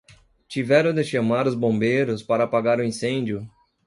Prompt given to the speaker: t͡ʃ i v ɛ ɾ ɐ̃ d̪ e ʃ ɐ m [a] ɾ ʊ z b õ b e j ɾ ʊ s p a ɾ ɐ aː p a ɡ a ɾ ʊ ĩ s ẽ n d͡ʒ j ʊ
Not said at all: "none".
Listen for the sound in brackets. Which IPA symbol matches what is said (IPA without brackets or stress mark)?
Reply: a